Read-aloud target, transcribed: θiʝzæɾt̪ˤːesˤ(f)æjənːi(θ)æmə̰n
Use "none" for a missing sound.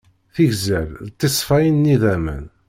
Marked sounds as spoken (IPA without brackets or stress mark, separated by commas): f, ð